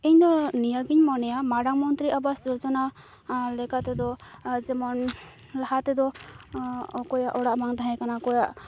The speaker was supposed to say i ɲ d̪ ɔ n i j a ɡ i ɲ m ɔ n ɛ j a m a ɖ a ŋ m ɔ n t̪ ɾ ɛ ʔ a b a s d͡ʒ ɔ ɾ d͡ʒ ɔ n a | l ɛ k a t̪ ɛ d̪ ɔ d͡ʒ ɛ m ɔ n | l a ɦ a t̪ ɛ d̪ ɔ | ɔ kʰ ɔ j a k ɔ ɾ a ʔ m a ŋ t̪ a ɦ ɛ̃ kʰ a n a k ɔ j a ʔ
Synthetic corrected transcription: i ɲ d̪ ɔ n i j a ɡ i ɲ m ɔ n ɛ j a m a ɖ a ŋ m ɔ n t̪ ɾ i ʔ a b a s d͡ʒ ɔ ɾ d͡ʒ ɔ n a | l ɛ k a t̪ ɛ d̪ ɔ d͡ʒ ɛ m ɔ n | l a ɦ a t̪ ɛ d̪ ɔ | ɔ k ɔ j a ʔ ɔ ɽ a ʔ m a ŋ t̪ a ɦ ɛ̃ k a n a k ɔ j a ʔ